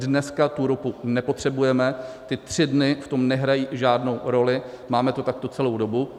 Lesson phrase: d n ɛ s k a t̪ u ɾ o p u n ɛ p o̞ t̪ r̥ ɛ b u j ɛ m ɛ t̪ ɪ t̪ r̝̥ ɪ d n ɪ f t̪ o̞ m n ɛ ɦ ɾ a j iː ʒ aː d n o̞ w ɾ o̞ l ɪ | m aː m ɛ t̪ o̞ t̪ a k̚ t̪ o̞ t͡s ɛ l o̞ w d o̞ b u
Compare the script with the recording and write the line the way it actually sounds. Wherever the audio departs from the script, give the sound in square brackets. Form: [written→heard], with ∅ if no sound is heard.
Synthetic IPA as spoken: d n ɛ s k a t̪ u ɾ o p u n ɛ p o̞ t̪ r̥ ɛ b u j ɛ m ɛ t̪ ɪ t̪ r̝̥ ɪ d n ɪ f t̪ o̞ m n ɛ ɦ ɾ a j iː ʒ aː d n o̞ w ɾ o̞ l ɪ | m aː m ɛ t̪ o̞ t̪ a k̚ t̪ o̞ t͡s ɛ l o̞ w d o̞ b u